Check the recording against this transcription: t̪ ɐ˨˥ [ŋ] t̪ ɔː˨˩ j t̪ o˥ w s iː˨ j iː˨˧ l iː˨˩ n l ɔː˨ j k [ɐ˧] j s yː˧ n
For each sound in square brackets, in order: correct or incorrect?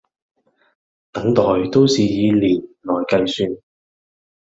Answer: correct, correct

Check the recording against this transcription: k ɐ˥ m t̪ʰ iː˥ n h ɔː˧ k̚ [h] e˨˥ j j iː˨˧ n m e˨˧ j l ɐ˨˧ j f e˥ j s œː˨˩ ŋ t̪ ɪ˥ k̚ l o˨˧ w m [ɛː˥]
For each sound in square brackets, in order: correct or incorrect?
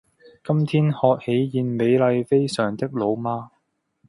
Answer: correct, incorrect: aː˥

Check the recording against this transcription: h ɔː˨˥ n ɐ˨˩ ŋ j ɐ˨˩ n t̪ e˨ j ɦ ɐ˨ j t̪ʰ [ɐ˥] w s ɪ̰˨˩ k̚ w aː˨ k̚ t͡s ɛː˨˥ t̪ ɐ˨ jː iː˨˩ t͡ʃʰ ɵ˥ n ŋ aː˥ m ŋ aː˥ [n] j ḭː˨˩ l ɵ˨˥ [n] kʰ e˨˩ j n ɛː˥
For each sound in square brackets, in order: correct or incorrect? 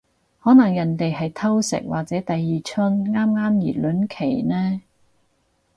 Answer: correct, incorrect: m, correct

